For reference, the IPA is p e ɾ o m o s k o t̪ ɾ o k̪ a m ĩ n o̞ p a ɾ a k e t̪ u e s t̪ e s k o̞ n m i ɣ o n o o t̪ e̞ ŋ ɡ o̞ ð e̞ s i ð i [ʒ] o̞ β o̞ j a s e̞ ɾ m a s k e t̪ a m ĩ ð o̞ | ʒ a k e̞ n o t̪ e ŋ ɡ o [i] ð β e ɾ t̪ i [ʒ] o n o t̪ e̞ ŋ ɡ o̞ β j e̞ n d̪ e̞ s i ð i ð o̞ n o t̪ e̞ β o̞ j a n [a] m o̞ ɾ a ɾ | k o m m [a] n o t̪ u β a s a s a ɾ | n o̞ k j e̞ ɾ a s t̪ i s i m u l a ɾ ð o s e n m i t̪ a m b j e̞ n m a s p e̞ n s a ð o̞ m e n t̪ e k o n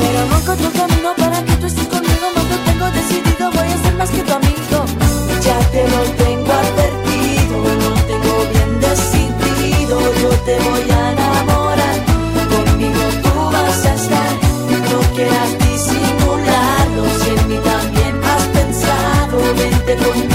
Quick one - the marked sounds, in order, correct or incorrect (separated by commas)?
incorrect, incorrect, incorrect, correct, incorrect